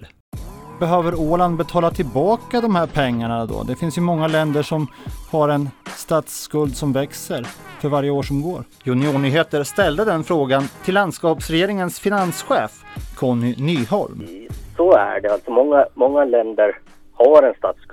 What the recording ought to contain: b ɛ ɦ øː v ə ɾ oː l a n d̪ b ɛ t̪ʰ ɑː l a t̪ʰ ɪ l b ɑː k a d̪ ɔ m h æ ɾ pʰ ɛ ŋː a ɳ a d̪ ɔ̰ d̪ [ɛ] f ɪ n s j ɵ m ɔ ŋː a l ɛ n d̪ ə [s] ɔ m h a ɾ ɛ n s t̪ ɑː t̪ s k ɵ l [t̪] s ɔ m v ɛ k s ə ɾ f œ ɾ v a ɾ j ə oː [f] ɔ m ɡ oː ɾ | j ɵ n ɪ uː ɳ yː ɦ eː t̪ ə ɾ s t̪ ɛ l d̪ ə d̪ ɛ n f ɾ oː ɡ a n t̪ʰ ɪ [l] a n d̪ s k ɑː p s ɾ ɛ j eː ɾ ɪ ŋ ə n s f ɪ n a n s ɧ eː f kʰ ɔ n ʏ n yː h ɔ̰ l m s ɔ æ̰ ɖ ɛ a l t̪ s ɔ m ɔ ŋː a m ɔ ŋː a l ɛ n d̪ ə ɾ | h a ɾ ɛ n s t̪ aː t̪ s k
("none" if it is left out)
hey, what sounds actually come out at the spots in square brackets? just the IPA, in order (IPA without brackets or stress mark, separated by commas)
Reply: ɛ, ʂ, d̪, ʂ, lː